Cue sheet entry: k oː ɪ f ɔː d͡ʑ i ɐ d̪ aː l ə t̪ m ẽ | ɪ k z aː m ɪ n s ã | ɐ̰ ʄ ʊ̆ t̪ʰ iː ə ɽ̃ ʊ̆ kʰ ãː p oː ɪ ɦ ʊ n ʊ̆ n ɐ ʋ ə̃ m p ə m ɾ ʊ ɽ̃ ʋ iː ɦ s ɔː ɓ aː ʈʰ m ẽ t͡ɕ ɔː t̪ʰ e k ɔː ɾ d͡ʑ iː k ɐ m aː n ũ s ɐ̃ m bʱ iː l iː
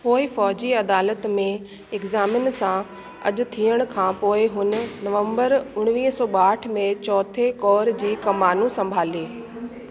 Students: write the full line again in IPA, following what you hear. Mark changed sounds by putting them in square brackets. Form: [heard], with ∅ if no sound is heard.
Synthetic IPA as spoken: [p] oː ɪ f ɔː d͡ʑ i ɐ d̪ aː l ə t̪ m ẽ | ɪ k z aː m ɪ n s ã | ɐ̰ ʄ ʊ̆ t̪ʰ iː ə ɽ̃ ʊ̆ kʰ ãː p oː ɪ ɦ ʊ n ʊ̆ n ɐ ʋ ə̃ m [b] ə [∅] ɾ ʊ ɽ̃ ʋ iː ɦ s ɔː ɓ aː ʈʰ m ẽ t͡ɕ ɔː t̪ʰ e k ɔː ɾ d͡ʑ iː k ɐ m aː n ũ s ɐ̃ m bʱ [aː] l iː